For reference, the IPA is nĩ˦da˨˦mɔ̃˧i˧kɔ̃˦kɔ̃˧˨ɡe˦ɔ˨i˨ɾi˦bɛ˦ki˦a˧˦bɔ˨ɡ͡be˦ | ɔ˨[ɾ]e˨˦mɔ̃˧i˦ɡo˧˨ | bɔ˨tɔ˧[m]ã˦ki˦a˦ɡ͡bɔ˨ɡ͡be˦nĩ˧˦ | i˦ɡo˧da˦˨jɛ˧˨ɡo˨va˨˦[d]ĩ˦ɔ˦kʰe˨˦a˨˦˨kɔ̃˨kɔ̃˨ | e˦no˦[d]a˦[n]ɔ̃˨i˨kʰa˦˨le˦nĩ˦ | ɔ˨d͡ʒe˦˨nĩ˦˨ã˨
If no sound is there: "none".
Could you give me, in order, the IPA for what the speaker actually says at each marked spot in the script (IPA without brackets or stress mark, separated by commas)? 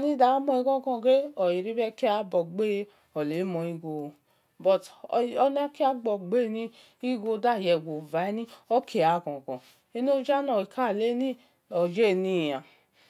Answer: l, n, n, d͡ʒ, n